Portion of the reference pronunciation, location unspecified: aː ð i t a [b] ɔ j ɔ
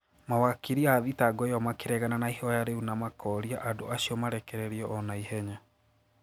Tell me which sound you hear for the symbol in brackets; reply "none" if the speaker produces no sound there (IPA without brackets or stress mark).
ɡ